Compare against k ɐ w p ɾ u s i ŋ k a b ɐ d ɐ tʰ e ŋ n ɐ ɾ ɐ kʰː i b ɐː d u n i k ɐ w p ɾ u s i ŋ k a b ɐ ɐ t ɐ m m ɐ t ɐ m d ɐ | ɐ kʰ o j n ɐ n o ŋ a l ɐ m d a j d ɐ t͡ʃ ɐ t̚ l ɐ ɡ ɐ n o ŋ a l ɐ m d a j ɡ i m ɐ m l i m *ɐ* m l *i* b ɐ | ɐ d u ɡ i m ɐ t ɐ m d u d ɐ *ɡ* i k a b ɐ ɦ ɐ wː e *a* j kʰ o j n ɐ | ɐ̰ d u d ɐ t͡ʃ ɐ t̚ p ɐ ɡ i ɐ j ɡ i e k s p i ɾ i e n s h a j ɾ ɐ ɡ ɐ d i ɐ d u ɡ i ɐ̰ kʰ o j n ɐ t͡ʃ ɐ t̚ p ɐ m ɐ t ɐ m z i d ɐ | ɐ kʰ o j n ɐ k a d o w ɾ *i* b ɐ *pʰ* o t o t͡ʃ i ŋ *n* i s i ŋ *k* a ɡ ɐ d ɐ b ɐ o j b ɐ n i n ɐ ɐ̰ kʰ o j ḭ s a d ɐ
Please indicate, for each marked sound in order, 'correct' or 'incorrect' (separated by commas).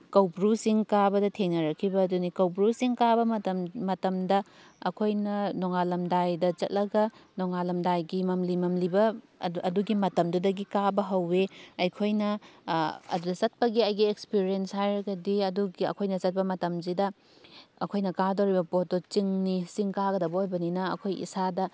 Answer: correct, correct, correct, incorrect, correct, incorrect, correct, correct